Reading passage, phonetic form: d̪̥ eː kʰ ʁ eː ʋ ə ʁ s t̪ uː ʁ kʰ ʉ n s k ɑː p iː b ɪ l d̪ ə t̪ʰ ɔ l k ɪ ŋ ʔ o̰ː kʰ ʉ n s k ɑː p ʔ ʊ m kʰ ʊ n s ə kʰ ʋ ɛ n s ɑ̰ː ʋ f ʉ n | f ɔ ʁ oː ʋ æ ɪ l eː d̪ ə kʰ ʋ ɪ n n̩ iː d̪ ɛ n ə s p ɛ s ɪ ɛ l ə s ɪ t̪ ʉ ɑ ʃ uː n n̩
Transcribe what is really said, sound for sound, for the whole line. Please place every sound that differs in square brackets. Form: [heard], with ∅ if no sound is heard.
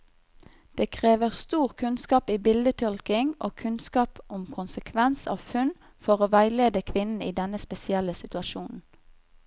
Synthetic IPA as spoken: d̪̥ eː kʰ ʁ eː ʋ ə ʁ s t̪ uː ʁ kʰ ʉ n s k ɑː p iː b ɪ l d̪ ə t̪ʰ ɔ l k ɪ ŋ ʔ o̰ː kʰ ʉ n s k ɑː p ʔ ʊ m kʰ ʊ n s ə kʰ ʋ ɛ n s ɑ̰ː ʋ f ʉ n | f ɔ ʁ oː ʋ æ ɪ l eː d̪ ə kʰ ʋ ɪ n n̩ iː d̪ ɛ n ə s p ɛ s ɪ ɛ l ə s ɪ t̪ ʉ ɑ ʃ uː n n̩